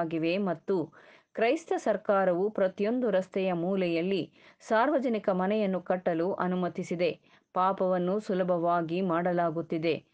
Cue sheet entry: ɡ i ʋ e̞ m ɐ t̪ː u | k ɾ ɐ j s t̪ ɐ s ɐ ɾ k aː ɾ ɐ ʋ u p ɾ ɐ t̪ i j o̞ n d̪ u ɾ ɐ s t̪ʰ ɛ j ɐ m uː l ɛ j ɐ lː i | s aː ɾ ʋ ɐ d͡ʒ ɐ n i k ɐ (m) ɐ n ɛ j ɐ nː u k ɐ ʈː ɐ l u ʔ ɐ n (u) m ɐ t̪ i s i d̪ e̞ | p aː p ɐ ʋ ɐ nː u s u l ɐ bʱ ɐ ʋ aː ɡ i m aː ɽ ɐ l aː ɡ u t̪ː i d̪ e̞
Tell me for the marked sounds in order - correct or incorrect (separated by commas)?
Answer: correct, correct